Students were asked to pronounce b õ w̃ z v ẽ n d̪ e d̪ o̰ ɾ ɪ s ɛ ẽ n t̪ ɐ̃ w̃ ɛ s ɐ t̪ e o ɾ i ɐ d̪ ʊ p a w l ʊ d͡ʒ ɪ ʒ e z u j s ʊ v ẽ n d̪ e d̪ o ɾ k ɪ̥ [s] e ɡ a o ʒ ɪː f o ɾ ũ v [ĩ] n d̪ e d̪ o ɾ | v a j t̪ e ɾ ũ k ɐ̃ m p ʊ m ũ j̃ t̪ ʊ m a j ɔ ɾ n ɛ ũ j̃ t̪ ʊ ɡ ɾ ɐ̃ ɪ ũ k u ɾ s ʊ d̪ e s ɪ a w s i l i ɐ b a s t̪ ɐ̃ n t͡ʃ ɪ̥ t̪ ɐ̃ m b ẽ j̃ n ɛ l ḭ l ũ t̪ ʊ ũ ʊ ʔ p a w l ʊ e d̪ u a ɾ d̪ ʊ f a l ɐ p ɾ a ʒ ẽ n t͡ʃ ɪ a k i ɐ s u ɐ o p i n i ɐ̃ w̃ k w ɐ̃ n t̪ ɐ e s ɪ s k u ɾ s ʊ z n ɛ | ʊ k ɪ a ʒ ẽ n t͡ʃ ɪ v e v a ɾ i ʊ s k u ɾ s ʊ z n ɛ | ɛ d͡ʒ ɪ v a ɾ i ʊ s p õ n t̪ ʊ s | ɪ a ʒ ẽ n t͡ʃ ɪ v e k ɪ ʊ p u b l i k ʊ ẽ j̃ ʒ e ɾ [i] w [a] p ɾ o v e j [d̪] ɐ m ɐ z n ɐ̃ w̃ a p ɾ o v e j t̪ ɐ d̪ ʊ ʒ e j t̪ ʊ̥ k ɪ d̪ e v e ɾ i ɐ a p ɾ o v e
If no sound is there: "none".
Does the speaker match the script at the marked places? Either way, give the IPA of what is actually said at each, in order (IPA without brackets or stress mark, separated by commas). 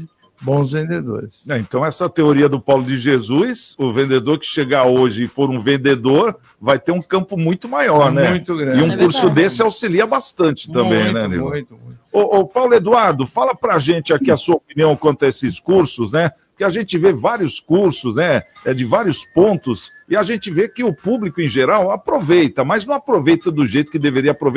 ʃ, ẽ, a, a, t̪